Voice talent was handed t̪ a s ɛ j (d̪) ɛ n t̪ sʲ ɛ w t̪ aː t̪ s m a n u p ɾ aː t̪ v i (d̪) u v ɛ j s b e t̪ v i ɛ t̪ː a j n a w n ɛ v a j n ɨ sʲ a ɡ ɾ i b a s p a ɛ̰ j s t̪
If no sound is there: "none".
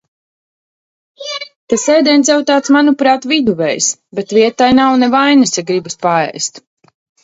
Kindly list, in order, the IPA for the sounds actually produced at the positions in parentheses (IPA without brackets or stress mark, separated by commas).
d̪, d̪